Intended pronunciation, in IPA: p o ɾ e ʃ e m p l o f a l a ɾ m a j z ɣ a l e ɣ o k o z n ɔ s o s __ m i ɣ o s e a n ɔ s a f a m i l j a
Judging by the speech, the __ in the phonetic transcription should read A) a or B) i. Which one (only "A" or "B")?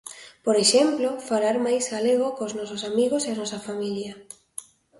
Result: A